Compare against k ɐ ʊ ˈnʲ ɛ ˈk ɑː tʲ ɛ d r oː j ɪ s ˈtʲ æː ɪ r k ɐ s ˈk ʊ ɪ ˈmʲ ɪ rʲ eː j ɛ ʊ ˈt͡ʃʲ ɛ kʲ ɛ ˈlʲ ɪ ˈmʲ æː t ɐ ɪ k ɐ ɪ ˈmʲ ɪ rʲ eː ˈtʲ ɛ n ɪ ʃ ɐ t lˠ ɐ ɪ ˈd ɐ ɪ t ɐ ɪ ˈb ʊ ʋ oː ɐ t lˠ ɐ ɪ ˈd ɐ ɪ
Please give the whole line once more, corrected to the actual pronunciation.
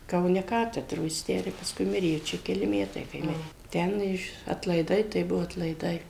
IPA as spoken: k ɐ ʊ ˈnʲ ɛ ˈk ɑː tʲ ɛ d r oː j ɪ s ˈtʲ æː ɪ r p ɐ s ˈk ʊ ɪ ˈmʲ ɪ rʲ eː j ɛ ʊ ˈt͡ʃʲ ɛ kʲ ɛ ˈlʲ ɪ ˈmʲ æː t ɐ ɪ k ɐ ɪ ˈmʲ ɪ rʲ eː ˈtʲ ɛ n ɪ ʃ ɐ t lˠ ɐ ɪ ˈd ɐ ɪ t ɐ ɪ ˈb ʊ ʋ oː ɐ t lˠ ɐ ɪ ˈd ɐ ɪ